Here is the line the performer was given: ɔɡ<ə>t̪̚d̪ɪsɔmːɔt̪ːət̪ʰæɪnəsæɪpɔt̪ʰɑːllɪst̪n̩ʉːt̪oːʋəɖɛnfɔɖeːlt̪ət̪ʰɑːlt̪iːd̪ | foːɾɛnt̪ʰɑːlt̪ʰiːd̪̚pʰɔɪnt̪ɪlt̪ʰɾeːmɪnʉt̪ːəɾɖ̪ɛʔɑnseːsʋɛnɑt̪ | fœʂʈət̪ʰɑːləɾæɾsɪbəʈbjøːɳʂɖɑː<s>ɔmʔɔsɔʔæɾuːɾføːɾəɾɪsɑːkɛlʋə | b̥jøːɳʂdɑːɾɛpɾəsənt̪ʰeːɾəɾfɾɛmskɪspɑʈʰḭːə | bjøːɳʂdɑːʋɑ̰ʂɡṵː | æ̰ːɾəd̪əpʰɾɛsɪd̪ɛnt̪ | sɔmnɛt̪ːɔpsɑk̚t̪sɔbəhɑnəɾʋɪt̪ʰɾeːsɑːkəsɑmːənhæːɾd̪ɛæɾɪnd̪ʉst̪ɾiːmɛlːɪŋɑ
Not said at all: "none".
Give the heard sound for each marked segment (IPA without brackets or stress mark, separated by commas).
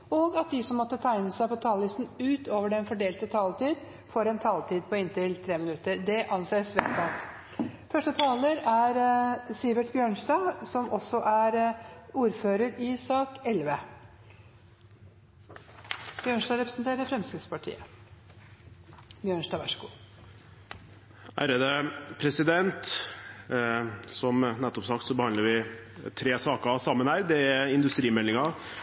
ɑ, s